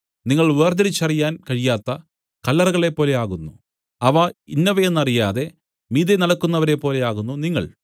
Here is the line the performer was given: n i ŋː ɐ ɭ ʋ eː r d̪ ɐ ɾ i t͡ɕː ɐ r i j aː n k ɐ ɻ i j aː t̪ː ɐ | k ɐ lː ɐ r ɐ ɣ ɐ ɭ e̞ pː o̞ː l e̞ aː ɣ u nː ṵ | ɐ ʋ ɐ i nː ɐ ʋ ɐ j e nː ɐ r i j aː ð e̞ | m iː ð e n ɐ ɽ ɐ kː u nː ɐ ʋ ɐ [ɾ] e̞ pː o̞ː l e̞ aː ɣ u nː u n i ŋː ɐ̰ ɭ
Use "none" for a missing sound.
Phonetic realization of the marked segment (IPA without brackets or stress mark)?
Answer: ɾ